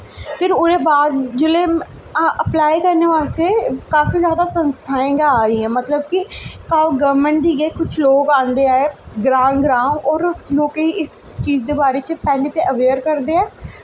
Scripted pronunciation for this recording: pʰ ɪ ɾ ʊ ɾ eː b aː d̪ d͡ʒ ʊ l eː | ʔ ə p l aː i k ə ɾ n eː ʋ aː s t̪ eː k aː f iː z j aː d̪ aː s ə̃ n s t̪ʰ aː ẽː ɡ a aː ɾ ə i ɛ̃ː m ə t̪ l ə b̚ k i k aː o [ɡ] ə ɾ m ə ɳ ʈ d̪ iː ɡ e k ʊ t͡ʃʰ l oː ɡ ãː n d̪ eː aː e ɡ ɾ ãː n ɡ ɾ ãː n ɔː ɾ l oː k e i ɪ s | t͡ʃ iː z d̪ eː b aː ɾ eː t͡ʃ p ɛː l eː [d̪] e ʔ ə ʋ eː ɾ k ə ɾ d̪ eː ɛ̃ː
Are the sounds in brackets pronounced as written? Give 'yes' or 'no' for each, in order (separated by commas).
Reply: yes, no